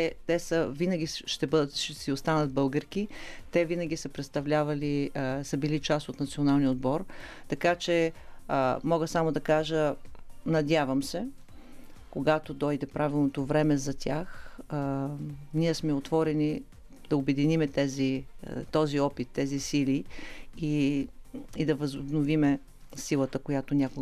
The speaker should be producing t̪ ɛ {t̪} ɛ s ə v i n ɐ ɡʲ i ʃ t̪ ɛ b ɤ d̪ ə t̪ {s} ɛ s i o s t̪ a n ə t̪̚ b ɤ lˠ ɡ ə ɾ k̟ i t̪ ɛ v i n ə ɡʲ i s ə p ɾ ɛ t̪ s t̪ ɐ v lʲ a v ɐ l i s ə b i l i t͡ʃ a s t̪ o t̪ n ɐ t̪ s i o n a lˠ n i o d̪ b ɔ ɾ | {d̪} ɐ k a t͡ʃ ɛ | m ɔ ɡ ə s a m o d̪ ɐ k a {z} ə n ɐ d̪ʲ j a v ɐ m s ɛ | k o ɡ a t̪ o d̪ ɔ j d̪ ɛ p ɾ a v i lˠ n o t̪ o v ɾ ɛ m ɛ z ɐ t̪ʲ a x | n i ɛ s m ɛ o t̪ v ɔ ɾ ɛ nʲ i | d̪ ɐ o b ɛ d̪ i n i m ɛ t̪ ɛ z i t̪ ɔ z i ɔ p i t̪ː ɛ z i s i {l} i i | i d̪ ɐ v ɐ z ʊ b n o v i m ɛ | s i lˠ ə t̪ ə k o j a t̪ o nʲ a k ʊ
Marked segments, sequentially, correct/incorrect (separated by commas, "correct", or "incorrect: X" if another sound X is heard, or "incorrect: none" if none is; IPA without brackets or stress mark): correct, incorrect: ʃ, incorrect: t̪, incorrect: ʒ, correct